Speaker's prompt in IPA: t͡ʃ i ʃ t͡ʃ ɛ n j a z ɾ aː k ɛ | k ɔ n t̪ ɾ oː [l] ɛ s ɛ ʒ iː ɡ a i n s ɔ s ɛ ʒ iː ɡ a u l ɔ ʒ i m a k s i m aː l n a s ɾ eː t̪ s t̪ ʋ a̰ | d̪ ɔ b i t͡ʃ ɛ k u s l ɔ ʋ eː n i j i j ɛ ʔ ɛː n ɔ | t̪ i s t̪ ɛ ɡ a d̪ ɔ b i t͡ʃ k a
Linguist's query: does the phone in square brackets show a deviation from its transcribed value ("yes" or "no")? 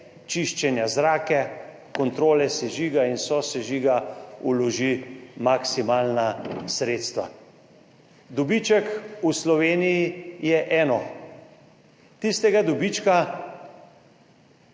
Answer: no